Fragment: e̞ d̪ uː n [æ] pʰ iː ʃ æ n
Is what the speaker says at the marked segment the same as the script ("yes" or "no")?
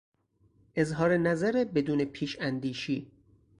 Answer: no